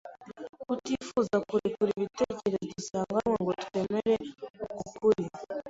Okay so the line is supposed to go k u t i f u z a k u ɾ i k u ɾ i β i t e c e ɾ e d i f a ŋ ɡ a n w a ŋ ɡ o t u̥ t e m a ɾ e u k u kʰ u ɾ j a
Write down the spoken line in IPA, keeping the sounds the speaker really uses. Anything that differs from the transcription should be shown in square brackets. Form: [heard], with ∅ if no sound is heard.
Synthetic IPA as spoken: k u t i f u z a k u ɾ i k u ɾ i β i t e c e ɾ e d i [s] a ŋ ɡ a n w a ŋ ɡ o t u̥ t e m [e] ɾ e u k u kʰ u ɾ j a